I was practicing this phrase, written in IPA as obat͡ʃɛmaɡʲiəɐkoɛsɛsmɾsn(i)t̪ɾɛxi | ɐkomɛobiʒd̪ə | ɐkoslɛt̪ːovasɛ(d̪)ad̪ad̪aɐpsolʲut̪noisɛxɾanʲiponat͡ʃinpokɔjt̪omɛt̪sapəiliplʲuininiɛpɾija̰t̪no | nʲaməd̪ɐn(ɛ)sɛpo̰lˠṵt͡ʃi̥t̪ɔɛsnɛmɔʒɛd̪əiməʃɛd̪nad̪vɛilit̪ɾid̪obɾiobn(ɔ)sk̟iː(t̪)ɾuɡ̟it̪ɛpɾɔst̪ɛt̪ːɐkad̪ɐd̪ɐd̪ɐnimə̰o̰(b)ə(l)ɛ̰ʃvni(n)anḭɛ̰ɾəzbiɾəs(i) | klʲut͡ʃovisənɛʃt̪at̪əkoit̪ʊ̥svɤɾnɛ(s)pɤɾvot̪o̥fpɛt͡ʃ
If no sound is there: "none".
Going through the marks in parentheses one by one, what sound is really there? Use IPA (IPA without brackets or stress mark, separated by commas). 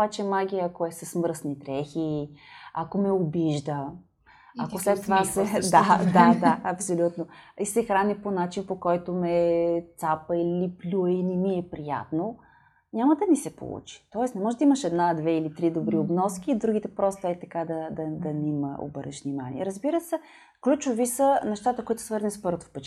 i, d̪, i, ɔ, d̪, b, ɾ, m, ɛ, s